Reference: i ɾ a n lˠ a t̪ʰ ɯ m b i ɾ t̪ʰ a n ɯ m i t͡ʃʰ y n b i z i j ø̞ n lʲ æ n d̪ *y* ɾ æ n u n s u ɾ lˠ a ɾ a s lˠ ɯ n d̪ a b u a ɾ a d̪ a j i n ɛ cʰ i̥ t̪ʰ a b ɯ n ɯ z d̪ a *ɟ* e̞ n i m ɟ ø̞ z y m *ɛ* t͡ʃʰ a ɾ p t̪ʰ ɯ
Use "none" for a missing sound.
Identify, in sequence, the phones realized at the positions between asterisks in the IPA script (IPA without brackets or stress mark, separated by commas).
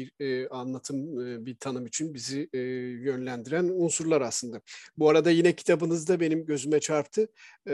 i, b, ɛ